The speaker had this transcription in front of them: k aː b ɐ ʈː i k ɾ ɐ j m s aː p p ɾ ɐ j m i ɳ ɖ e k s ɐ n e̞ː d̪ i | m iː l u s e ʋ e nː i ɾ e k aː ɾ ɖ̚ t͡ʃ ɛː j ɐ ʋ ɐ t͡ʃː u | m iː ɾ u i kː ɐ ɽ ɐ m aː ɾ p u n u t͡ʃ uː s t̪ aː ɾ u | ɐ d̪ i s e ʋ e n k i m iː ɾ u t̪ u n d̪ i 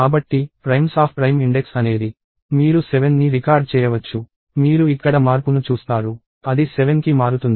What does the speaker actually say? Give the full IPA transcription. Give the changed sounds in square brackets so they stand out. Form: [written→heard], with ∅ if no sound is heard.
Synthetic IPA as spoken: k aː b ɐ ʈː i [k→p] ɾ ɐ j m s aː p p ɾ ɐ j m i ɳ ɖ e k s ɐ n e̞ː d̪ i | m iː [l→ɾ] u s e ʋ e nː i ɾ [e→i] k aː ɾ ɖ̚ t͡ʃ ɛː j ɐ ʋ ɐ t͡ʃː u | m iː ɾ u i kː ɐ ɽ ɐ m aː ɾ p u n u t͡ʃ uː s t̪ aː ɾ u | ɐ d̪ i s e ʋ e n k i m [iː→aː] ɾ u t̪ u n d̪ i